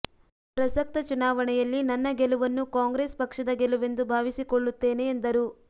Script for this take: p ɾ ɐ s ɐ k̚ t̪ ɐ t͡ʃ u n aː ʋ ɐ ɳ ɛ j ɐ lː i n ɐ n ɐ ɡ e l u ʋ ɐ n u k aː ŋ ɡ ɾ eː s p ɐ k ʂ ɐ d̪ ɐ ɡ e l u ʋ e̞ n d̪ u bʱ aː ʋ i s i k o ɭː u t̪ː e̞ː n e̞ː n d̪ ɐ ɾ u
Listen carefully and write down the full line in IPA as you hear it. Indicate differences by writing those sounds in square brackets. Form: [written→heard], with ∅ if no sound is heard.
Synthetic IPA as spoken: p ɾ ɐ s ɐ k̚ t̪ ɐ t͡ʃ u n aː ʋ ɐ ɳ ɛ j ɐ lː i n ɐ [n→nː] ɐ ɡ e l u ʋ ɐ [n→nː] u k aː ŋ ɡ ɾ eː s p ɐ k ʂ ɐ d̪ ɐ ɡ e l u ʋ e̞ n d̪ u bʱ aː ʋ i s i k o ɭː u t̪ː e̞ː n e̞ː n d̪ ɐ ɾ u